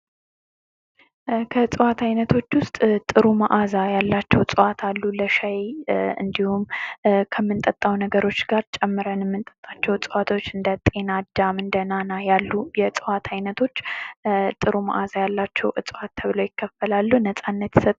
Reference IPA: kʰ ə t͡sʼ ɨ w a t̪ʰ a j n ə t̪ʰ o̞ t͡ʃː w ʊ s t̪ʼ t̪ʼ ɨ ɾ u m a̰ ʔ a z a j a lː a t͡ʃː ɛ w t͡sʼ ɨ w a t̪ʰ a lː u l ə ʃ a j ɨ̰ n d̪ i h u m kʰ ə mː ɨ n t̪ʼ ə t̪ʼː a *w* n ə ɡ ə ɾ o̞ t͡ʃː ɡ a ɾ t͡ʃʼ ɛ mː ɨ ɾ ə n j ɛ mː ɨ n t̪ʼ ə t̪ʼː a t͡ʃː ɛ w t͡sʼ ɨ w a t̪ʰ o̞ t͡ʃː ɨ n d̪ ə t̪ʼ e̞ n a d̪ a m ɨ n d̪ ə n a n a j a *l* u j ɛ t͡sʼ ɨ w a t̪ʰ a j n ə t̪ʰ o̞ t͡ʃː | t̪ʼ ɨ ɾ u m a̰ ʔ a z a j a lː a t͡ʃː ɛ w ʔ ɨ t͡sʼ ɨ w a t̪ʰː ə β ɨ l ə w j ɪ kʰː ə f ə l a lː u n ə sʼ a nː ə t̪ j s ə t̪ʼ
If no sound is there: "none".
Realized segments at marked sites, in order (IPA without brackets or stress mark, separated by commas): w, lː